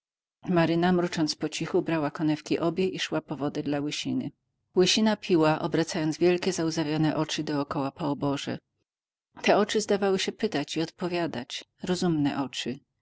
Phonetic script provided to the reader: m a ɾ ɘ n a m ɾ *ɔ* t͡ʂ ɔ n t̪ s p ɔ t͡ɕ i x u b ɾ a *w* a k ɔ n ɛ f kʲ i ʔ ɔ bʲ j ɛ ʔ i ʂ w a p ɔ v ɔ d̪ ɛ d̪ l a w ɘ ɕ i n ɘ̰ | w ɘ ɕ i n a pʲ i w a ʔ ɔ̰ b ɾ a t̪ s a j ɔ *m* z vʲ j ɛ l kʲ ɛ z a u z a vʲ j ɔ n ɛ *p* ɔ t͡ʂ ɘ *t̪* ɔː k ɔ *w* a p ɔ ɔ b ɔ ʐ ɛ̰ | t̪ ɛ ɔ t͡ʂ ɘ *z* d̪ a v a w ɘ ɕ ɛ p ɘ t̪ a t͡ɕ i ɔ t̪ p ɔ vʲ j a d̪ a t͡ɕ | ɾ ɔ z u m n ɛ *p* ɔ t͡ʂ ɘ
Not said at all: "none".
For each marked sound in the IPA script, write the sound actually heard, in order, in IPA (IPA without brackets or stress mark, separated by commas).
u, w, n, ʔ, d̪, w, z, ʔ